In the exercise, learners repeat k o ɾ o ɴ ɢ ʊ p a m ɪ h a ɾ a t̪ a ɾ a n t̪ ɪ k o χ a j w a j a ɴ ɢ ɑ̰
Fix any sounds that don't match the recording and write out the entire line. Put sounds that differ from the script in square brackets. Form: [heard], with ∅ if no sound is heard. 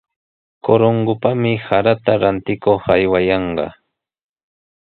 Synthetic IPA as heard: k o ɾ o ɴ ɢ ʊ p a m ɪ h a ɾ a t̪ a ɾ a n t̪ ɪ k o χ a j w a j [ɑ] ɴ ɢ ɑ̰